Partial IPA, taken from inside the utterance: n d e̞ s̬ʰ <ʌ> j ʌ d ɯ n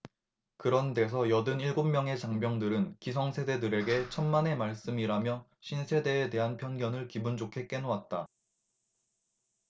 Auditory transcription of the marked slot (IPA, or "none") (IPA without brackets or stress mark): ʌ